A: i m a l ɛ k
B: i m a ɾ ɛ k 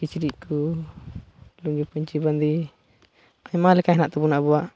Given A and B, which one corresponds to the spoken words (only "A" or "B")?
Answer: A